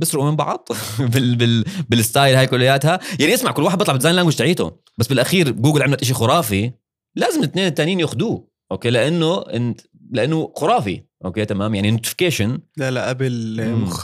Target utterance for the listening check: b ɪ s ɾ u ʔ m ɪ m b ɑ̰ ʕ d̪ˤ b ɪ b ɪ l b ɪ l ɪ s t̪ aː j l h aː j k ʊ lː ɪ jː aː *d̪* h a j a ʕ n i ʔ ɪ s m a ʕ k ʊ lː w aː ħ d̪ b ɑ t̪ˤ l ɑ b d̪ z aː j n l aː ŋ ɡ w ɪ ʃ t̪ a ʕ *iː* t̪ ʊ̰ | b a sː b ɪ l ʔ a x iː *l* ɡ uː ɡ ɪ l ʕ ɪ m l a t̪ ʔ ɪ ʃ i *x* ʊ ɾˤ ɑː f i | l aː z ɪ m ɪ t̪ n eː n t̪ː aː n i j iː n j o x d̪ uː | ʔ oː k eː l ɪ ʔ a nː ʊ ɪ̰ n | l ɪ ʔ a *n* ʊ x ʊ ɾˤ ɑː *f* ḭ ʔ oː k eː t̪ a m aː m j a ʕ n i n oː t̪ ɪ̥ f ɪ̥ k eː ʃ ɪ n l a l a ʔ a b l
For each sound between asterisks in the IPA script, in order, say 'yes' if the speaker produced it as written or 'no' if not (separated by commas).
no, yes, no, yes, no, yes